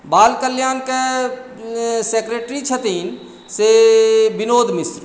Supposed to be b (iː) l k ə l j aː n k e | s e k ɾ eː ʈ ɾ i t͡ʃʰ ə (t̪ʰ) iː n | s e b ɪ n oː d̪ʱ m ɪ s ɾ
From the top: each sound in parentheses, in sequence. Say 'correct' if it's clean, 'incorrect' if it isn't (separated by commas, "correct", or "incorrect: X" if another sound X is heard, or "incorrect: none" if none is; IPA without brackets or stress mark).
incorrect: aː, incorrect: t̪